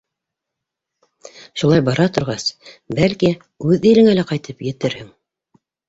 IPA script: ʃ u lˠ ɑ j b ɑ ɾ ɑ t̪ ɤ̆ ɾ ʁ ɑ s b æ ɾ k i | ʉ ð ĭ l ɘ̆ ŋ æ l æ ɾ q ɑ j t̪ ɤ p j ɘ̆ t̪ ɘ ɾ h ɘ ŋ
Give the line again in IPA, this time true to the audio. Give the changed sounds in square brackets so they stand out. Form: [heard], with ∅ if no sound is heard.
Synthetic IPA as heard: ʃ u lˠ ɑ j b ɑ ɾ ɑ t̪ [ŏ] ɾ ʁ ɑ s b æ [l] k i | ʉ ð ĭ l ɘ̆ ŋ æ l æ [∅] q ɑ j t̪ ɤ p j ɘ̆ t̪ ɘ ɾ h ɘ ŋ